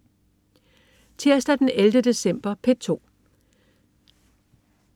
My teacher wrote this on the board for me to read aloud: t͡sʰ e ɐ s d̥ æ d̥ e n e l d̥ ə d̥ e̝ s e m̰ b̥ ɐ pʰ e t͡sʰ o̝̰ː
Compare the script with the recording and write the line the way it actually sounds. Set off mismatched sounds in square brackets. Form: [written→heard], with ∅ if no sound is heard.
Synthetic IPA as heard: t͡sʰ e ɐ s d̥ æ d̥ e n e l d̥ ə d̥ e̝ s e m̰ b̥ ɐ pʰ e t͡sʰ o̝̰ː